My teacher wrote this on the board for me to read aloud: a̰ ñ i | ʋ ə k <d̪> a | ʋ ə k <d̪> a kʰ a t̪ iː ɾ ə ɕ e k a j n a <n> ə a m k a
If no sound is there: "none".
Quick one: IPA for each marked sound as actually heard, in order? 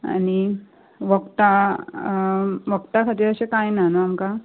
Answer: t̪, t̪, n

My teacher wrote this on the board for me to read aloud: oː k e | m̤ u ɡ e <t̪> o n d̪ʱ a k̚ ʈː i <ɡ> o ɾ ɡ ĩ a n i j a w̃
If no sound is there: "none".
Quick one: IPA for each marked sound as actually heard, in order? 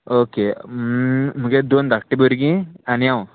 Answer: d̪, b

